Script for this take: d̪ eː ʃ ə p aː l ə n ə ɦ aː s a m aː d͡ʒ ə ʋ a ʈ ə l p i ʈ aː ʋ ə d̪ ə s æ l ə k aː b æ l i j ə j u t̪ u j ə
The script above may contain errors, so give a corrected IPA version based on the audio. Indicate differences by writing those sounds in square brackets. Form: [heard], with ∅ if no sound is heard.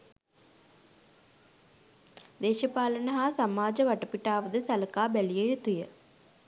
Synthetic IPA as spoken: d̪ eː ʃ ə p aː l ə n ə ɦ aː s a m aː d͡ʒ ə ʋ a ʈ ə [∅] p i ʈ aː ʋ ə d̪ ə s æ l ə k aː b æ l i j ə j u t̪ u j ə